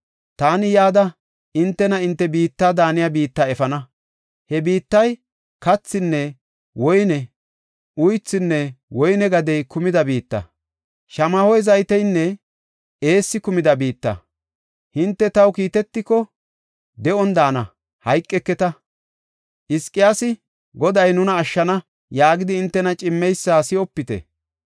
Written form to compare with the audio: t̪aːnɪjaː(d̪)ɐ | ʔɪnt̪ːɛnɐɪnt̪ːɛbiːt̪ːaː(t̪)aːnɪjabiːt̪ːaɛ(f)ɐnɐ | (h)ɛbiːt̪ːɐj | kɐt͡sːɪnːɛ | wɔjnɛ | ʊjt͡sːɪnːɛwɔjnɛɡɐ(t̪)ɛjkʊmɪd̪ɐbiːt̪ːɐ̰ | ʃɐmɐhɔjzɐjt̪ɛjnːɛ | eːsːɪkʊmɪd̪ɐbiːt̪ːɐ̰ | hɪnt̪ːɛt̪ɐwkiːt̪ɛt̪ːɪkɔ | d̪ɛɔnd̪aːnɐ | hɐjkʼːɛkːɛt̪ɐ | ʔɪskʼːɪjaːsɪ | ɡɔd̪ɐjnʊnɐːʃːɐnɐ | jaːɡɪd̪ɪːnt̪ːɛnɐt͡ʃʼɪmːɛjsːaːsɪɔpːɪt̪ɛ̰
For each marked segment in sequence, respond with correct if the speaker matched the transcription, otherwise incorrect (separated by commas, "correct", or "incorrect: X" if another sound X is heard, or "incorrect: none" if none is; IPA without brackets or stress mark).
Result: correct, incorrect: d̪, correct, correct, incorrect: d̪